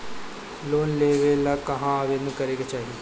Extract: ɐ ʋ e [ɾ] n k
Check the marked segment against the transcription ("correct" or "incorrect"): incorrect